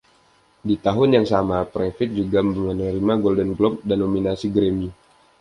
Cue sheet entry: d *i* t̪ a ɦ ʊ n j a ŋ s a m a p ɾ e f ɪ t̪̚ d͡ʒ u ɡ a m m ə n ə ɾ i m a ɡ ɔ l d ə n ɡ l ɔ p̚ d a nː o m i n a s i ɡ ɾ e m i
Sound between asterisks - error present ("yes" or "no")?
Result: no